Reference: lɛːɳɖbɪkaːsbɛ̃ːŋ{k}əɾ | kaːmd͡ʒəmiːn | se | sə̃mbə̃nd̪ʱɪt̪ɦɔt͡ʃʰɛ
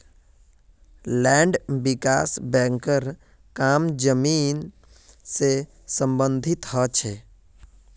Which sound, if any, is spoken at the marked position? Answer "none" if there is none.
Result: k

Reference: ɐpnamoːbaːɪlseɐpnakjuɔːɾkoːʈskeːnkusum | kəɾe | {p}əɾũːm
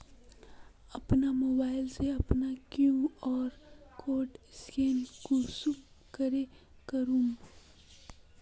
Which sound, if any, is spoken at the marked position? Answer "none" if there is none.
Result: k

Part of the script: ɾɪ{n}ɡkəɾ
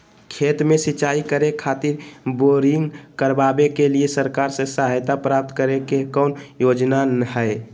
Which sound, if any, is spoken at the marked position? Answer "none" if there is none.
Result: ŋ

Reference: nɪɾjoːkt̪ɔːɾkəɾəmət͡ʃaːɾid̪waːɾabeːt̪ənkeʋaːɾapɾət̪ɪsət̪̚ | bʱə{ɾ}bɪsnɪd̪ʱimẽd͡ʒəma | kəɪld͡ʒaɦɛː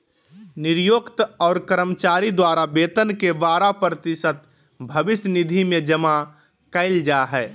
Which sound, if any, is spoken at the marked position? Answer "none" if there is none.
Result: none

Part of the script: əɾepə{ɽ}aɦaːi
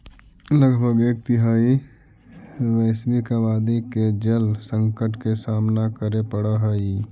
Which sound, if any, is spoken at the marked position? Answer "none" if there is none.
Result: ɽ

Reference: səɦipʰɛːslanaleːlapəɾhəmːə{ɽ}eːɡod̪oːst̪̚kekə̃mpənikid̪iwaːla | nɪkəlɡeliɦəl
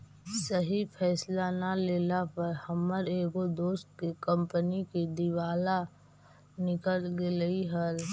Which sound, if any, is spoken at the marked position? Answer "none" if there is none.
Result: ɾ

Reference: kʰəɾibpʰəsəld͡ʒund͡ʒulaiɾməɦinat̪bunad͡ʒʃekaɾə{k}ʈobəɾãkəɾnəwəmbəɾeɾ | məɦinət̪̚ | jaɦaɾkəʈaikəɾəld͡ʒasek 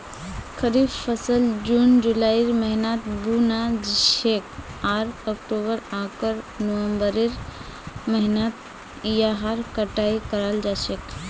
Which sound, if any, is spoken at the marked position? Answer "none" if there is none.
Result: k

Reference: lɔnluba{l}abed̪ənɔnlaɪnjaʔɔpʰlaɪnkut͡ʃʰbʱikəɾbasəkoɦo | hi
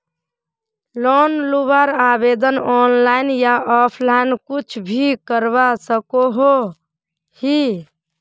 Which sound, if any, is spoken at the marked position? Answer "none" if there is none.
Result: ɾ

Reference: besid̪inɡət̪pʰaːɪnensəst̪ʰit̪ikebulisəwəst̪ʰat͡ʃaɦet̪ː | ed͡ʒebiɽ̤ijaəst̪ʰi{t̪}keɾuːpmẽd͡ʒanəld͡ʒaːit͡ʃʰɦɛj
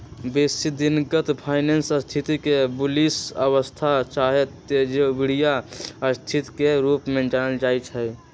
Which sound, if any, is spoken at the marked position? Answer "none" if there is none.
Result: t̪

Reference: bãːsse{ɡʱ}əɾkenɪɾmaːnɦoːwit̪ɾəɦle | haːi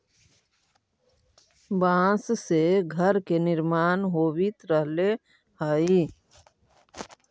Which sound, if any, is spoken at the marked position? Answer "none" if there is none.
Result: ɡʱ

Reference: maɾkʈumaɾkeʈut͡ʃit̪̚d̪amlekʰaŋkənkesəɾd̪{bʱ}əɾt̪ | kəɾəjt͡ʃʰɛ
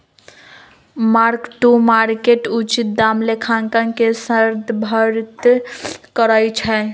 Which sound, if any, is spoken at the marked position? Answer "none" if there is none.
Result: bʱ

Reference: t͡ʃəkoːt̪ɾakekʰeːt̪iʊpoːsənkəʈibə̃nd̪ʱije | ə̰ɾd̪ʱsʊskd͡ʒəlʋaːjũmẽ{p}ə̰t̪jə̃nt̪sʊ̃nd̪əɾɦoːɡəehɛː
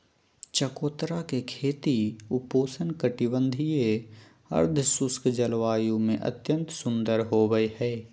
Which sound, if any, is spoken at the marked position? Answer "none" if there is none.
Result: ʔ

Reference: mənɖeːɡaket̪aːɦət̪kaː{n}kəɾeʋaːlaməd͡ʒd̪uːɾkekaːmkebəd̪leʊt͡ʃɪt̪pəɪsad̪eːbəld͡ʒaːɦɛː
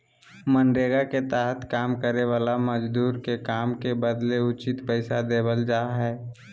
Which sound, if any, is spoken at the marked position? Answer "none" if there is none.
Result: m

